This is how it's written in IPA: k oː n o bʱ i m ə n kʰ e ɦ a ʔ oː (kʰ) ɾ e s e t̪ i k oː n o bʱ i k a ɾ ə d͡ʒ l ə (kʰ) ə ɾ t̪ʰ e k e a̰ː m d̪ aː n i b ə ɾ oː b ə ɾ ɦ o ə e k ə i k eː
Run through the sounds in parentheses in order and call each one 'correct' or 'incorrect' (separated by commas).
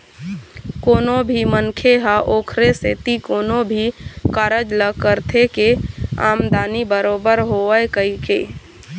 correct, incorrect